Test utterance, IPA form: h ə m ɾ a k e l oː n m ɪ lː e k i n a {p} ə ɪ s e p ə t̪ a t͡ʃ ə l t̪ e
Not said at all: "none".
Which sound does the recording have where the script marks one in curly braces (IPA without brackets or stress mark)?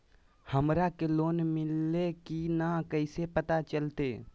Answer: k